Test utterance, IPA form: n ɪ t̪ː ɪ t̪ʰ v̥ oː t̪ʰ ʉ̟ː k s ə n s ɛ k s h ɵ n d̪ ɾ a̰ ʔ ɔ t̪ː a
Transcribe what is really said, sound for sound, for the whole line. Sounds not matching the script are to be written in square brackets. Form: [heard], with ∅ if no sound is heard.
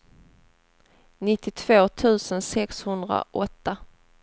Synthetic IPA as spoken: n ɪ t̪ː ɪ t̪ʰ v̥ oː t̪ʰ ʉ̟ː [∅] s ə n s ɛ k s h ɵ n d̪ ɾ a̰ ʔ ɔ t̪ː a

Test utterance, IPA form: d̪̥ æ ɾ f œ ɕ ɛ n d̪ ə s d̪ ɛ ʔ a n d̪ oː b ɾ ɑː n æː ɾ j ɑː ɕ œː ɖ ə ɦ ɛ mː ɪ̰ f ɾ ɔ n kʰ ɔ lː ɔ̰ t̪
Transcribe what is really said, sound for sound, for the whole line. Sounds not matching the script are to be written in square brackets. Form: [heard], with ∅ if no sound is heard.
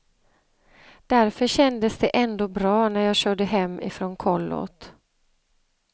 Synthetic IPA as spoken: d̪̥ æ ɾ f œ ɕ ɛ n d̪ ə s d̪ ɛ ʔ [ɛ] n d̪ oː b ɾ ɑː n [æ] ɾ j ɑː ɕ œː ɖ ə ɦ ɛ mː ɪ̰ f ɾ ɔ n kʰ ɔ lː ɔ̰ t̪

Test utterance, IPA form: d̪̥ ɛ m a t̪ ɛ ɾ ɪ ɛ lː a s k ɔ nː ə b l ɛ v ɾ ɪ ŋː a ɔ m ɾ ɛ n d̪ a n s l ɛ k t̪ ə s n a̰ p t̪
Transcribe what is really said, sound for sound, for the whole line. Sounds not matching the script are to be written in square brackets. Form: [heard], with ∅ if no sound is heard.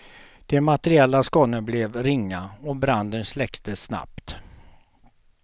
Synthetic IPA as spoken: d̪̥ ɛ m a t̪ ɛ ɾ ɪ ɛ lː a s k ɔ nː ə b l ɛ v ɾ ɪ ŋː a ɔ [b] ɾ [a] n d̪ [ə] n s l ɛ k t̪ ə s n a̰ p t̪

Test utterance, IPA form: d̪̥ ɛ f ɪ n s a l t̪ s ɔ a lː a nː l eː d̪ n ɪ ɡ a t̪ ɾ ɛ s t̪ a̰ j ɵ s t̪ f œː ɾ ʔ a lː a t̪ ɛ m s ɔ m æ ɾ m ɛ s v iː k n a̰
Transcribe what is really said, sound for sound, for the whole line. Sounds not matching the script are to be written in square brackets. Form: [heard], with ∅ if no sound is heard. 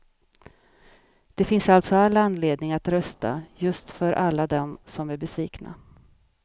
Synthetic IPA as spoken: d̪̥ ɛ f ɪ n s a l t̪ s ɔ a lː a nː l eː d̪ n ɪ [ŋ] a t̪ ɾ [œ] s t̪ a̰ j ɵ s t̪ f [œ] ɾ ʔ a lː a [d̪] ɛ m s ɔ m æ ɾ [b] ɛ s v iː k n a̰

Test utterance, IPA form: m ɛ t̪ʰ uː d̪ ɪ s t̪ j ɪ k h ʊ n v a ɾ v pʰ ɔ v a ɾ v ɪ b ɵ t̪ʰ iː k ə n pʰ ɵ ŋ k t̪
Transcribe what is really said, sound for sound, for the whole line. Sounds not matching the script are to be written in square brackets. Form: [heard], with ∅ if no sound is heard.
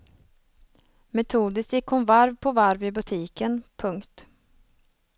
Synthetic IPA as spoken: m ɛ t̪ʰ uː d̪ ɪ s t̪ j ɪ k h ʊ n v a ɾ v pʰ ɔ v a ɾ v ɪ b ɵ t̪ʰ iː k ə n pʰ ɵ ŋ k t̪

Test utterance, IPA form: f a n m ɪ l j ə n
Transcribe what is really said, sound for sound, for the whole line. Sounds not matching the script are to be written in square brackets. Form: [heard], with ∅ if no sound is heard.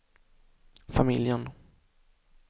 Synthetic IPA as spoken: f a [∅] m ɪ l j ə n

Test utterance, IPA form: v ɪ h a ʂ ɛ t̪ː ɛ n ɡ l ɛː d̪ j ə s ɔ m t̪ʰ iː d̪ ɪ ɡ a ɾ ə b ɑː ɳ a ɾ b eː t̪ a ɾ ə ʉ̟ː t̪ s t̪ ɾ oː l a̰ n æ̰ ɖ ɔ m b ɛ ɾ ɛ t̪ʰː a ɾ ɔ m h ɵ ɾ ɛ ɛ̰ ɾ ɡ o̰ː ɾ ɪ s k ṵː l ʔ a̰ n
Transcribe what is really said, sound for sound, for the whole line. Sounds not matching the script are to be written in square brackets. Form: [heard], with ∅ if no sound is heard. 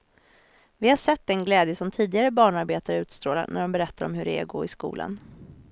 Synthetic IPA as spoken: v ɪ h a ʂ ɛ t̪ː ɛ n ɡ l ɛː d̪ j ə s ɔ m t̪ʰ iː d̪ ɪ ɡ a ɾ ə b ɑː ɳ a ɾ b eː t̪ a ɾ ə ʉ̟ː t̪ s t̪ ɾ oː l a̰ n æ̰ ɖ ɔ m b ɛ ɾ ɛ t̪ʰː a ɾ ɔ m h ɵ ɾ ɛ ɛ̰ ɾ ɡ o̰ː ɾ ɪ s k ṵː l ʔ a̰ n

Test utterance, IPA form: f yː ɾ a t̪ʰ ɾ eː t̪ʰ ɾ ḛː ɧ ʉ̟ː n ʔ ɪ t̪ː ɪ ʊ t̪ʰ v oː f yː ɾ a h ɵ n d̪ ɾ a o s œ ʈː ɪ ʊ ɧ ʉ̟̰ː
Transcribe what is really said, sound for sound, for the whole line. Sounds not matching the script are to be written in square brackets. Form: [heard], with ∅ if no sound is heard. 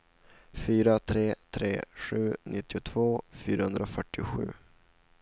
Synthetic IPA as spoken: f yː ɾ a t̪ʰ ɾ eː t̪ʰ ɾ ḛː ɧ ʉ̟ː n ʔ ɪ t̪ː ɪ ʊ t̪ʰ v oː f yː ɾ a h ɵ n d̪ ɾ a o [f] œ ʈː ɪ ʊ ɧ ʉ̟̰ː

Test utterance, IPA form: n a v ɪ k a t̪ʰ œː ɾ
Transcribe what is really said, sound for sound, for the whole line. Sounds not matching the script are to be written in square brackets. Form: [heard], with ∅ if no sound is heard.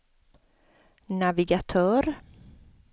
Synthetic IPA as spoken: n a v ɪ [ɡ] a t̪ʰ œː ɾ

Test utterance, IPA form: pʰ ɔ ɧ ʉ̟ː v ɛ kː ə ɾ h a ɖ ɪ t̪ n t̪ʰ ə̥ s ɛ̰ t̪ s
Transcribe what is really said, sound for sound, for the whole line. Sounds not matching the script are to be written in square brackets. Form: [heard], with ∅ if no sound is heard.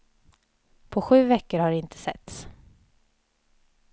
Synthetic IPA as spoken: pʰ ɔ ɧ ʉ̟ː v ɛ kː ə ɾ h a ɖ ɪ [∅] n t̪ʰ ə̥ s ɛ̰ t̪ s

